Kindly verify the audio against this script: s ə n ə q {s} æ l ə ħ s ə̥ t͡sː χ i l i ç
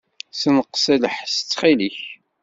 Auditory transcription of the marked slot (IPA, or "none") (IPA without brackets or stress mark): s